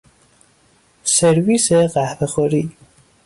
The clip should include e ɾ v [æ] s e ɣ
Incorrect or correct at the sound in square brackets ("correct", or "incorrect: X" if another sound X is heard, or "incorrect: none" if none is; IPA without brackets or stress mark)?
incorrect: i